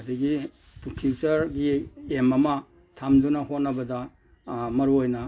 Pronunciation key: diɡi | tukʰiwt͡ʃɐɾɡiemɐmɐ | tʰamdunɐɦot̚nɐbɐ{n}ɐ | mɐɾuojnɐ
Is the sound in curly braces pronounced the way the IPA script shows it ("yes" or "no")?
no